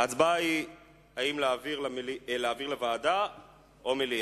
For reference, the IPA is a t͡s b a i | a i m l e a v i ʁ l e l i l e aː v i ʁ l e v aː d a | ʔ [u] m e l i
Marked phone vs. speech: incorrect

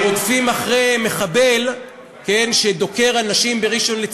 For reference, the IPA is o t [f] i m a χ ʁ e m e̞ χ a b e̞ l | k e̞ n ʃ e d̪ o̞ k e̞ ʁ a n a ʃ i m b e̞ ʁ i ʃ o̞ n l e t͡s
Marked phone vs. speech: correct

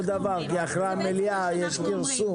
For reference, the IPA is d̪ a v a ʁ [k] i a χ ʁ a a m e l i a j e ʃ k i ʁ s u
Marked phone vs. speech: correct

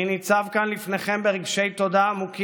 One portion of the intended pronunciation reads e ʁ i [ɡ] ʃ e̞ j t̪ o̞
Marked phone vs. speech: correct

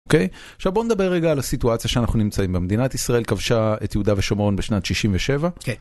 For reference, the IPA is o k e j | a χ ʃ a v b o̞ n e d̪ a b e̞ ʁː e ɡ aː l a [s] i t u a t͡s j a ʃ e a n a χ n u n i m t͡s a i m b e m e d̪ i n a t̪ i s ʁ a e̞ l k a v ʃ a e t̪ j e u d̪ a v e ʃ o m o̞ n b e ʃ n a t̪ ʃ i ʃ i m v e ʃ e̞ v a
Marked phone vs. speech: correct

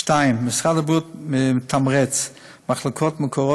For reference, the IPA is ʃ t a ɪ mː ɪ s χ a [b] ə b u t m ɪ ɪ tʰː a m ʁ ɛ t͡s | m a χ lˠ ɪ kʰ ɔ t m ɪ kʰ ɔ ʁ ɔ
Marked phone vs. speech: incorrect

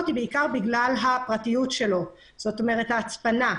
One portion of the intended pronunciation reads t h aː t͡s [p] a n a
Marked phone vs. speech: correct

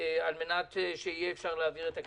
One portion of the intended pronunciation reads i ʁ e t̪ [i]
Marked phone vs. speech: incorrect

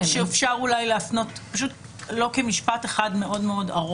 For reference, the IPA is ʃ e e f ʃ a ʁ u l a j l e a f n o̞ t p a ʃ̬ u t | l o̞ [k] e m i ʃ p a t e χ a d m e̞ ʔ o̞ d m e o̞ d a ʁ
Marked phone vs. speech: correct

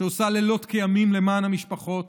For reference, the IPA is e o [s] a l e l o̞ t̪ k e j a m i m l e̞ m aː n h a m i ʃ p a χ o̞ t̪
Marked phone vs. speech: correct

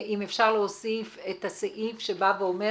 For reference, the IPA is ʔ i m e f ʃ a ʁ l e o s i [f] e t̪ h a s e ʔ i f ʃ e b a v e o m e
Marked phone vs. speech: correct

